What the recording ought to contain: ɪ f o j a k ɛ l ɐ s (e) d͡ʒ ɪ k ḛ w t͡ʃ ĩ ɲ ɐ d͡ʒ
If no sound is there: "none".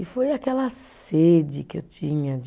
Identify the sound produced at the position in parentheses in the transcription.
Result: e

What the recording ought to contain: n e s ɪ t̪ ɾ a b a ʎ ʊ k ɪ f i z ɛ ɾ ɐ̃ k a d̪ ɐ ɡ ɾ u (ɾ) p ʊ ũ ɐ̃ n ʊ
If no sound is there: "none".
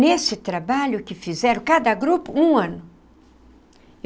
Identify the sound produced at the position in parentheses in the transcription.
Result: none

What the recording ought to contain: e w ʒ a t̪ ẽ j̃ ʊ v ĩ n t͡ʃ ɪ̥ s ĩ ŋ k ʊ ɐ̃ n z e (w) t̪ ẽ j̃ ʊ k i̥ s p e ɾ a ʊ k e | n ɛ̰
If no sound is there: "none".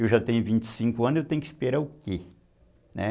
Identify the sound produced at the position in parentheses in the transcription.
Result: w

